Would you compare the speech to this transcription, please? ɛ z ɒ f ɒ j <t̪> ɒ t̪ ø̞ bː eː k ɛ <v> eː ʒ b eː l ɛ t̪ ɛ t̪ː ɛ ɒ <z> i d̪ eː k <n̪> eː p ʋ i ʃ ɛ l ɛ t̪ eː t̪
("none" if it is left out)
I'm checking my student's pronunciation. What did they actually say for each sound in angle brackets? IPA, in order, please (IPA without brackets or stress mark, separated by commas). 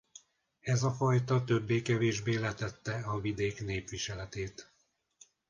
t̪, v, v, n̪